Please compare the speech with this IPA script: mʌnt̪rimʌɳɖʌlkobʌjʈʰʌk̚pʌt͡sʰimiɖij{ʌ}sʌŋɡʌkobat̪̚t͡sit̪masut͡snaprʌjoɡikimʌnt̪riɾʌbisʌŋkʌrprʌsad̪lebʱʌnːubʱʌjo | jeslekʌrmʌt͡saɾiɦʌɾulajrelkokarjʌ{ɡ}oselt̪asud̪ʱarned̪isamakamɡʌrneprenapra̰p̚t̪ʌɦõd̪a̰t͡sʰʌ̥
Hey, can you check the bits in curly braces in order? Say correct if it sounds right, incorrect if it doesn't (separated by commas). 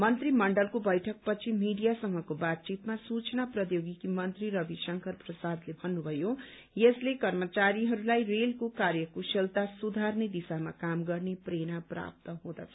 incorrect, incorrect